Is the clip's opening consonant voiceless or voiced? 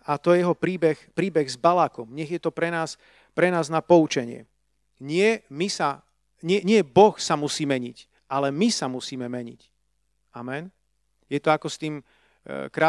voiceless